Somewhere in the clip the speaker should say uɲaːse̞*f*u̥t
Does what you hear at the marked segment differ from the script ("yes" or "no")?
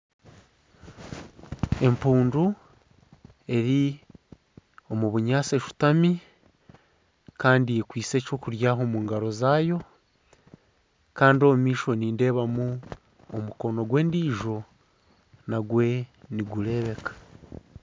yes